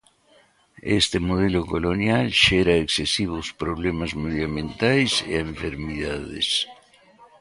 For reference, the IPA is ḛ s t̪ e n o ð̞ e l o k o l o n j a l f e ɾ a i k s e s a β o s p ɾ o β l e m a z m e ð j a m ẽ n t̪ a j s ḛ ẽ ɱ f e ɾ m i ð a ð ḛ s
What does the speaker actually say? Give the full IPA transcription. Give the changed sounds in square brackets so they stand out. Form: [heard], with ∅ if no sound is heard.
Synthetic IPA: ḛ s t̪ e [m] o ð̞ e l o k o l o n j a l [ʃ] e ɾ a [e] k s e s [i] β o s p ɾ o β l e m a z m e ð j a m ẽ n t̪ a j s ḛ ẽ ɱ f e ɾ m i ð a ð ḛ s